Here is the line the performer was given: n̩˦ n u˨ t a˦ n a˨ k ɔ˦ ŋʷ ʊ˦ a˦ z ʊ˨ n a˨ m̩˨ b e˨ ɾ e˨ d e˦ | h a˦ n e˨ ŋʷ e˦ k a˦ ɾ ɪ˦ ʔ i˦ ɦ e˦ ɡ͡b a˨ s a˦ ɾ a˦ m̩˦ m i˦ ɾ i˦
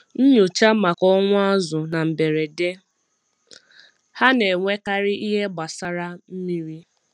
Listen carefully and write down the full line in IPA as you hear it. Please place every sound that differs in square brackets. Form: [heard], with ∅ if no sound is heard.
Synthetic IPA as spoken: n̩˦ [ɲ] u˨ [t͡ʃ] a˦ [m] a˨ k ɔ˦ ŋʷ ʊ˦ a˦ z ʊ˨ n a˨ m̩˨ b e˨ ɾ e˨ d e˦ | h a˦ n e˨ ŋʷ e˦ k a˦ ɾ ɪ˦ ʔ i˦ ɦ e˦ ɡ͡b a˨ s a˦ ɾ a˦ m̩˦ m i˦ ɾ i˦